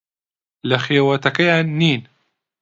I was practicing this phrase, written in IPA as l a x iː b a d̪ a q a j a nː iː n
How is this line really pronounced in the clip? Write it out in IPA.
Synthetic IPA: l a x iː w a t̪ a k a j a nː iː n